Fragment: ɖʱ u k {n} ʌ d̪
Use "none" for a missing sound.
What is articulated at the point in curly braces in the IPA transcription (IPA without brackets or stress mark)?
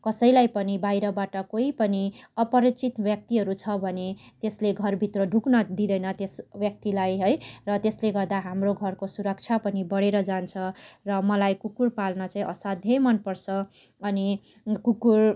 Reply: n